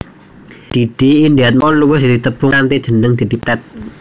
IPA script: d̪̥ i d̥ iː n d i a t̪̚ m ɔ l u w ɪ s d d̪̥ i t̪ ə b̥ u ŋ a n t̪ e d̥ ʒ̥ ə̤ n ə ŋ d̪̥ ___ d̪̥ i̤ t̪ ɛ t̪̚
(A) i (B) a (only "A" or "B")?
A